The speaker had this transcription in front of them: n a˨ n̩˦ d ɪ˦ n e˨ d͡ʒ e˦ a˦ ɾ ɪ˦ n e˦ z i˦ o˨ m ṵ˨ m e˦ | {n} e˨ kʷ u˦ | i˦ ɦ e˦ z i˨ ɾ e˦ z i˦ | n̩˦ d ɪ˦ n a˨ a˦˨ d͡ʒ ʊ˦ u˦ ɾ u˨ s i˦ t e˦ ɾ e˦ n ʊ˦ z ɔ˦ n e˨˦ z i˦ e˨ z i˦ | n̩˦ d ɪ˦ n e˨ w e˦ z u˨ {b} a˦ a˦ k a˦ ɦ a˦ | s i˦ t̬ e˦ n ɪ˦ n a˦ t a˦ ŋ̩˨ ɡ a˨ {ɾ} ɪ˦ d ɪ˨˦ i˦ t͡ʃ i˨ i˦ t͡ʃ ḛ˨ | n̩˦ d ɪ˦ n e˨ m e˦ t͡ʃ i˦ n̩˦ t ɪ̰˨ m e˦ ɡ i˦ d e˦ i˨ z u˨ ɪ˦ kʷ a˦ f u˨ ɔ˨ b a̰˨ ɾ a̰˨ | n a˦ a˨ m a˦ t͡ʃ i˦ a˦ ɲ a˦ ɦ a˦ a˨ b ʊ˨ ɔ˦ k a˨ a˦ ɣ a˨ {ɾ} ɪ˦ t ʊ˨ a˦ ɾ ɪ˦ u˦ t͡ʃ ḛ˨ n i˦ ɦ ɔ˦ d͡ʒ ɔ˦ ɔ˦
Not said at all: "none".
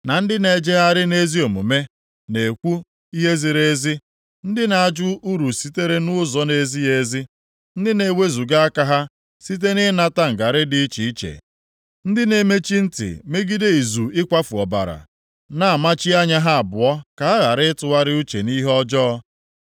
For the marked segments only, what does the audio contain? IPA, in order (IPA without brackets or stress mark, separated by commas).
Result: n, ɡ, ɾ, ɾ